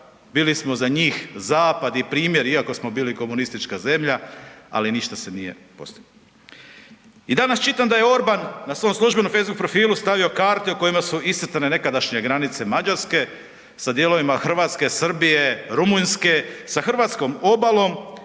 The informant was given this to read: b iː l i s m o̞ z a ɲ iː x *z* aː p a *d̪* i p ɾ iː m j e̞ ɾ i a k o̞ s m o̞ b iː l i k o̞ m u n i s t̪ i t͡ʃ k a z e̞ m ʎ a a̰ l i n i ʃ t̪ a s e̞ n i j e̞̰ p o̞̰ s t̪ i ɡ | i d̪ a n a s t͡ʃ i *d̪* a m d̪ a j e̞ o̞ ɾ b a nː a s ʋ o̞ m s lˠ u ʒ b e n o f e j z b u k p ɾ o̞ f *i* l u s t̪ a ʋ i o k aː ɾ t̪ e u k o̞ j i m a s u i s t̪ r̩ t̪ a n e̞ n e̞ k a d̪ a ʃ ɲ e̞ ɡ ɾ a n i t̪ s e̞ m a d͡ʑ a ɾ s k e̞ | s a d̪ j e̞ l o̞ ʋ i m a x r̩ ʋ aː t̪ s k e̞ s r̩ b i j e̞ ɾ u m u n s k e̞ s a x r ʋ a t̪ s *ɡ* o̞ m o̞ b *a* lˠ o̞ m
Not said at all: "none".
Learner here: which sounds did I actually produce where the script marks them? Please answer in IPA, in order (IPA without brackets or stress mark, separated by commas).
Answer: z, d̪, t̪, iː, k, a